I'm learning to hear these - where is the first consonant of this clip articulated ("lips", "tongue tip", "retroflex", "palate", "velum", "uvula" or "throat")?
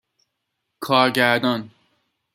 velum